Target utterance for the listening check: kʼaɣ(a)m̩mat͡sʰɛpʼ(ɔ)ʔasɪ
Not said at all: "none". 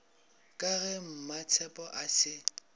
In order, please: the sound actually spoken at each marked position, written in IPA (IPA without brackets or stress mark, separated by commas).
ɛ, ɔ